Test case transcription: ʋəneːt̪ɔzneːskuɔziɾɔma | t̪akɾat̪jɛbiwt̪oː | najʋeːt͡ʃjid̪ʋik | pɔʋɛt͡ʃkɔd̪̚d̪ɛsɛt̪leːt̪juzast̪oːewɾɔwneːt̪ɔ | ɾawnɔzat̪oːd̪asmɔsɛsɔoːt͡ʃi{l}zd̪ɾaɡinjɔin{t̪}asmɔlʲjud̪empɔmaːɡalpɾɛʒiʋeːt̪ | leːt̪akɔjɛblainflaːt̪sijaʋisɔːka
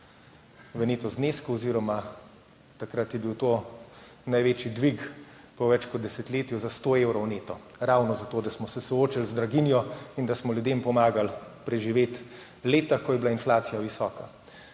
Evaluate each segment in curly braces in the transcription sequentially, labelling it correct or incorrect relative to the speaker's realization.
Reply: correct, incorrect: d̪

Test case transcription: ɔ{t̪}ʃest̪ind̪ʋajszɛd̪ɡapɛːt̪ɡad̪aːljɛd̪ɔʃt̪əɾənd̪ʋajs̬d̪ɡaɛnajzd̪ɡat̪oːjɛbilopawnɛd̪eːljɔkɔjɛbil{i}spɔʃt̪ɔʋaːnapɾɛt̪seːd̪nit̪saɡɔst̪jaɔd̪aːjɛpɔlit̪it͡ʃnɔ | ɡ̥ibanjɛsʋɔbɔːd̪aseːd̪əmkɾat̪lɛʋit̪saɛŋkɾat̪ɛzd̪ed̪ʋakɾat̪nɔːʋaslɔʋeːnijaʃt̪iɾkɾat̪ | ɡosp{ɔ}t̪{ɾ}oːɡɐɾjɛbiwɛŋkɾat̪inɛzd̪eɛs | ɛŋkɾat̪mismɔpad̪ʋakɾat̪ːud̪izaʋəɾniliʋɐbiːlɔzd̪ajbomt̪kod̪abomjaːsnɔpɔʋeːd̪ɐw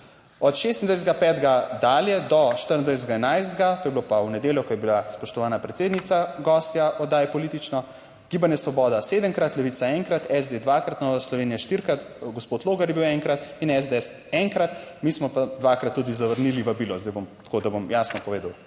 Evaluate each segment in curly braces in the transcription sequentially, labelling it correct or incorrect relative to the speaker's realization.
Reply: correct, incorrect: a, incorrect: o, incorrect: l

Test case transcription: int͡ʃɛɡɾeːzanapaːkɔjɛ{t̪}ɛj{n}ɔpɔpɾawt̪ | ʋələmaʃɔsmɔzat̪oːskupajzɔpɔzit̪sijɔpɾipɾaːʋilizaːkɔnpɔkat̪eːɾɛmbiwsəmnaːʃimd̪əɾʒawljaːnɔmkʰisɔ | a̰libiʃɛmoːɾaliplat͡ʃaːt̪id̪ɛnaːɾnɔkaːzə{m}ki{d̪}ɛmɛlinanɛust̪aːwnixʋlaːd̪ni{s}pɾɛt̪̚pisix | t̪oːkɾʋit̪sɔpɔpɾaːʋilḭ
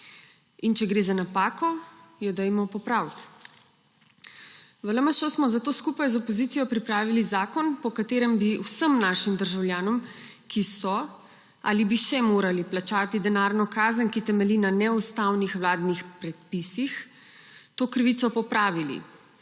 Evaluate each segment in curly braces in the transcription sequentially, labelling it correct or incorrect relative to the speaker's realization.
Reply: incorrect: d̪, incorrect: m, incorrect: n, incorrect: t̪, incorrect: x

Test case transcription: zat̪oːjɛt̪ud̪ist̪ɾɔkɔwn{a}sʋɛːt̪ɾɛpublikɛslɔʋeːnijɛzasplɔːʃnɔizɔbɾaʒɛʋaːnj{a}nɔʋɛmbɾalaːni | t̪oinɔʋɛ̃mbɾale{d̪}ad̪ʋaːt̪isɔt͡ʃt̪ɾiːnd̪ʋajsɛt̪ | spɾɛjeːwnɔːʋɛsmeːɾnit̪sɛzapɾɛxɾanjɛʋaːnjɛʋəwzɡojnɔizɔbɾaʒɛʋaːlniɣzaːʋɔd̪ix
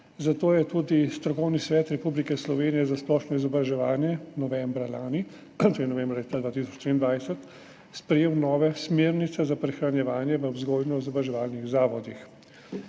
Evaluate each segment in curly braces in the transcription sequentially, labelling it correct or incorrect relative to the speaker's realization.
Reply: incorrect: i, incorrect: ɛ, incorrect: t̪

